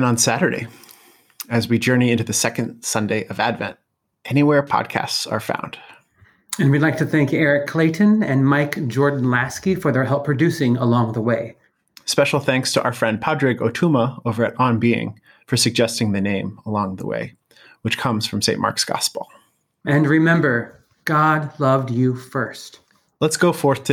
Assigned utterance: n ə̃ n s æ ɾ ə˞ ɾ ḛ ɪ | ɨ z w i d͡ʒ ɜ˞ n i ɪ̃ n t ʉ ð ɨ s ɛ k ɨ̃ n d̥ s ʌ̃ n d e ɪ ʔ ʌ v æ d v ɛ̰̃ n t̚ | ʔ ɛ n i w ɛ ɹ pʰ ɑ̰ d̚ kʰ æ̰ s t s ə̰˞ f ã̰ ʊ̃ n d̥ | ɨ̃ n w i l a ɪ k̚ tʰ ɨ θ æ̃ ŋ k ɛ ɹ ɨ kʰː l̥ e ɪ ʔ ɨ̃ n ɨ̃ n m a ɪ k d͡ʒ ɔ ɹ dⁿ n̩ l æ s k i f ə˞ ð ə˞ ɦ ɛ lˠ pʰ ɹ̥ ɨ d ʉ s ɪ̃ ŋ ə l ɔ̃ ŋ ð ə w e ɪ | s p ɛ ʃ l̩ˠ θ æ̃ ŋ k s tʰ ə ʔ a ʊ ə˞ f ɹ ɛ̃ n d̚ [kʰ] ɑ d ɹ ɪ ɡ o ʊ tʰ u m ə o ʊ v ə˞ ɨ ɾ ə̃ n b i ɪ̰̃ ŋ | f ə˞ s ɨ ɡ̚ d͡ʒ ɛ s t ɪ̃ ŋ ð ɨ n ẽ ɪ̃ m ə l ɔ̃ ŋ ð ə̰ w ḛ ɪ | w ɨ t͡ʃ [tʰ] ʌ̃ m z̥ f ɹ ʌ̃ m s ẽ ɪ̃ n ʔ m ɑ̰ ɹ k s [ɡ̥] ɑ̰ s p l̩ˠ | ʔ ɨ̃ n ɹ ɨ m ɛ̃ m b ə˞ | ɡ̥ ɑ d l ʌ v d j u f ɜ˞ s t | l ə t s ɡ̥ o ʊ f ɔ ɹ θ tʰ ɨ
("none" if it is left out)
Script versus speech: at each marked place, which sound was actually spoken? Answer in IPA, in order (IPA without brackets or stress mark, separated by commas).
pʰ, kʰ, ɡ̥